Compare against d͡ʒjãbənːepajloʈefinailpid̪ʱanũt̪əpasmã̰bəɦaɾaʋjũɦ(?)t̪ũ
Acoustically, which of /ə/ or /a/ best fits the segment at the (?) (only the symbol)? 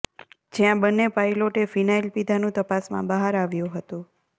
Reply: ə